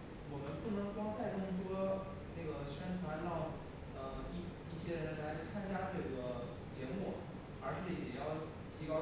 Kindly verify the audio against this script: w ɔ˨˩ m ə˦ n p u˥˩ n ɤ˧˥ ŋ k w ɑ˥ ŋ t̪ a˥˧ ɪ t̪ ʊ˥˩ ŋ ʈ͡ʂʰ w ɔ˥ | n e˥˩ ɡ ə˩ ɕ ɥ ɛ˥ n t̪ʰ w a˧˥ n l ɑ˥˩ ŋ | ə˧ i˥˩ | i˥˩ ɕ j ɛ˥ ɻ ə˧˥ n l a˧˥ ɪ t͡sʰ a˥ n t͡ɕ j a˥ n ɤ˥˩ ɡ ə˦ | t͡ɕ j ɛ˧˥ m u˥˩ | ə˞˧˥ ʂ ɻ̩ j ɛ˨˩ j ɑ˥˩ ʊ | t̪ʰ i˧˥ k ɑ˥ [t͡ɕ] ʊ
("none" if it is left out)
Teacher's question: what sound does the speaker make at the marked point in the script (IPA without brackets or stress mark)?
none